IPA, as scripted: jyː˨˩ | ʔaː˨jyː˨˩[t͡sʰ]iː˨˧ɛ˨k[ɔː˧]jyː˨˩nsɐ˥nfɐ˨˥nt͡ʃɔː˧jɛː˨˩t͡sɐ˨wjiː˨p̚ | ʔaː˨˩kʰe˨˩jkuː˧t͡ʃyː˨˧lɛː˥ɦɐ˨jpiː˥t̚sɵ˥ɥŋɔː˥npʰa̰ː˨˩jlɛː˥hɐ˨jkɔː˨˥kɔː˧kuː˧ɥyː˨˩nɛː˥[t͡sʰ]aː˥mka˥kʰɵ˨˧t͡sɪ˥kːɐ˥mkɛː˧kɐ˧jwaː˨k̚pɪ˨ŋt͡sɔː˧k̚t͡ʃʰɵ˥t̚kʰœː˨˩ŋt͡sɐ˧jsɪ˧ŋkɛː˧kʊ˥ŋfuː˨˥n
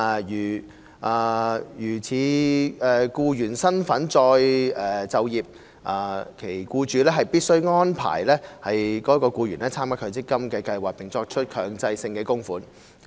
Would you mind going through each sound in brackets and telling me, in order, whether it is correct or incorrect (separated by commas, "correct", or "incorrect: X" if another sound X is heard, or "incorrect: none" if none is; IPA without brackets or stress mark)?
correct, incorrect: uː˧, correct